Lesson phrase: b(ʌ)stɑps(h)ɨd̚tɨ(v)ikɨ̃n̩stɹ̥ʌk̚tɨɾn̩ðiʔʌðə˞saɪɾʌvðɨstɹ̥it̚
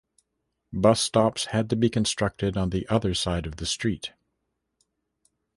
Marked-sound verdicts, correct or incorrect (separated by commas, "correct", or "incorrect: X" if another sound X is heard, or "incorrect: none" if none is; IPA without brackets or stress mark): correct, correct, incorrect: b